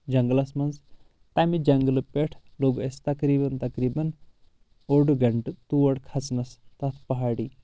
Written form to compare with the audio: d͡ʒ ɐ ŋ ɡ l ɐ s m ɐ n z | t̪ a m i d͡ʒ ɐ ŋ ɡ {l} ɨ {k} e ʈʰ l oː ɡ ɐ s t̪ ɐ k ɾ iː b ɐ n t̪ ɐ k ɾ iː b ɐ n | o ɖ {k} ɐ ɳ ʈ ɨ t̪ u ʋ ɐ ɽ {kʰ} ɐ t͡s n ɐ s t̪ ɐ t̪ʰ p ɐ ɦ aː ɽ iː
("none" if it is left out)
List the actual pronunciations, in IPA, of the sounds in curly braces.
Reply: l, p, ɡ, kʰ

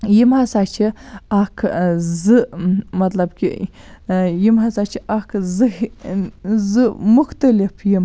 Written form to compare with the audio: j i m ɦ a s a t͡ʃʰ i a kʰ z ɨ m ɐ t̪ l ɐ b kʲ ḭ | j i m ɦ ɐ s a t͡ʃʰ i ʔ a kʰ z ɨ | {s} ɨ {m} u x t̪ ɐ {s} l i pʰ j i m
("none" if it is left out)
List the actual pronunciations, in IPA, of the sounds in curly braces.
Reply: z, m, none

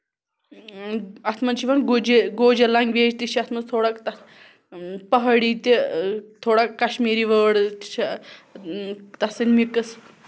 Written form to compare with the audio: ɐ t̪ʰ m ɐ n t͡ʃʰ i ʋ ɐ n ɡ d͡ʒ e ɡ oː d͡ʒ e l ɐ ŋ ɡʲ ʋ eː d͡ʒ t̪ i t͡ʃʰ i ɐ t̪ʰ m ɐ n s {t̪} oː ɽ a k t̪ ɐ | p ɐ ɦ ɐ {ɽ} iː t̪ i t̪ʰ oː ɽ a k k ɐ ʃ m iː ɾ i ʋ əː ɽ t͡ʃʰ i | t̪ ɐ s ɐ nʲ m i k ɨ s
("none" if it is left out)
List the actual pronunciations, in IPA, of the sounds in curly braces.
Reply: t̪ʰ, ɽ

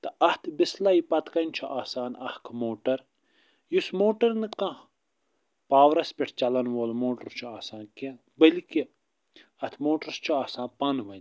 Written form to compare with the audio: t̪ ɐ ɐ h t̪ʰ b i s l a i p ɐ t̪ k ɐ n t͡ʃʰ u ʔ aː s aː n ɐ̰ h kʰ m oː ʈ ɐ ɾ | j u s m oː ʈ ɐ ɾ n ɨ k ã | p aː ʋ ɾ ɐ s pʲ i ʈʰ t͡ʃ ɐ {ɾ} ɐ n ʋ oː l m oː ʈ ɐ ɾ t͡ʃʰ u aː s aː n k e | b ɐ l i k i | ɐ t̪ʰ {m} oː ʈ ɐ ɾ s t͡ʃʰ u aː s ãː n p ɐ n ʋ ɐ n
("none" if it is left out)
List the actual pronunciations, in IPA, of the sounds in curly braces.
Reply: l, m

